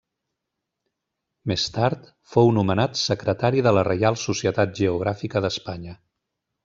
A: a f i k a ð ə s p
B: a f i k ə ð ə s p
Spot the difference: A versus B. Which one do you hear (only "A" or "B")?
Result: B